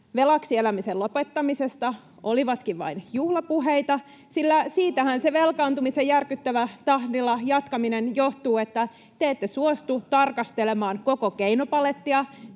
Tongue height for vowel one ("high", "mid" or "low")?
mid